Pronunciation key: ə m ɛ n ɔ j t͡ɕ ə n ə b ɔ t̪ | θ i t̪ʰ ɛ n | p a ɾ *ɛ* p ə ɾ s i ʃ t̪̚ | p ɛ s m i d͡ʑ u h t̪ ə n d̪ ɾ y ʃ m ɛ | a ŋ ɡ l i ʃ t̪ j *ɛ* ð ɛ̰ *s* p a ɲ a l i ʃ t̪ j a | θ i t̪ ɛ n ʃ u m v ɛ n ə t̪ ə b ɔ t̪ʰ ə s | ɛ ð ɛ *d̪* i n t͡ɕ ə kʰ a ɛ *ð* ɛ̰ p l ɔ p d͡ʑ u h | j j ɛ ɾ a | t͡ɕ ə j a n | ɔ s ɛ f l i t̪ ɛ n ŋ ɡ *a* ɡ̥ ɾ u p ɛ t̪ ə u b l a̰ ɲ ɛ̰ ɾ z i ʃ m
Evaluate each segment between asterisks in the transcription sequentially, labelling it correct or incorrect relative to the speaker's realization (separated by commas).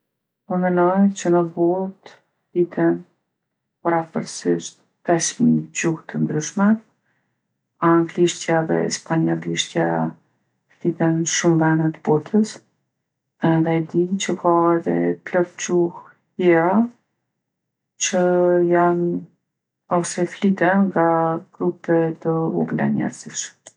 incorrect, incorrect, correct, correct, correct, correct